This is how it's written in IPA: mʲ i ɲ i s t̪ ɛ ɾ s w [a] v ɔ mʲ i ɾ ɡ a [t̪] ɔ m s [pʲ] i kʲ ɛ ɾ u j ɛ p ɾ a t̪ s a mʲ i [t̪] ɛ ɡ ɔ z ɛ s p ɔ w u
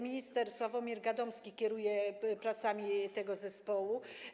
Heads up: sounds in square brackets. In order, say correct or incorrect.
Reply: correct, incorrect, incorrect, correct

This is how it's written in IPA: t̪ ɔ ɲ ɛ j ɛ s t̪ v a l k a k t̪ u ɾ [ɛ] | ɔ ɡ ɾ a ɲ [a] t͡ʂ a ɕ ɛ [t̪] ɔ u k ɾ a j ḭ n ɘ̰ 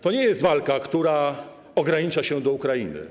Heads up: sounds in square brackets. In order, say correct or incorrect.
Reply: incorrect, incorrect, incorrect

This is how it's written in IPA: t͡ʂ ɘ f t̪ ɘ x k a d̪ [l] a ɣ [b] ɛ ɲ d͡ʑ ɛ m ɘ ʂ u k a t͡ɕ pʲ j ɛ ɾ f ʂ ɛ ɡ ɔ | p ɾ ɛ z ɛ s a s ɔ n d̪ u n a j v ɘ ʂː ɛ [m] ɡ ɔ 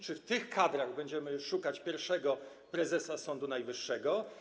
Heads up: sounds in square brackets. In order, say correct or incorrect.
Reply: incorrect, correct, incorrect

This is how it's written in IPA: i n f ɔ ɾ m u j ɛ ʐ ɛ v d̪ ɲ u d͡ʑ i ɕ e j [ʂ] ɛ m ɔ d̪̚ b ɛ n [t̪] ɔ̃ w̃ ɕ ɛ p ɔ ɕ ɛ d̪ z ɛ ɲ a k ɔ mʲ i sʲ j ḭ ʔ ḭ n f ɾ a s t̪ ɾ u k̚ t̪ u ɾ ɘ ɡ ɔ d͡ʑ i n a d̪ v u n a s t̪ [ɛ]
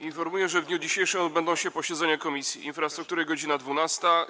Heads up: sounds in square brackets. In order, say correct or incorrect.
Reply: correct, incorrect, incorrect

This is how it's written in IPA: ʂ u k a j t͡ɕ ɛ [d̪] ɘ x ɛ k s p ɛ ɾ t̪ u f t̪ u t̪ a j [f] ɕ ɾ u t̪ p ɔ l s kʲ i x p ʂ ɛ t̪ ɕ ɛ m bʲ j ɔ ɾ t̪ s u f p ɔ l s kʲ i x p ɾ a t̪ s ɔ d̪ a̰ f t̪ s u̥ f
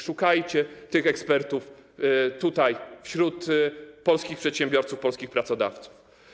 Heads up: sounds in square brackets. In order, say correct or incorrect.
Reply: incorrect, correct

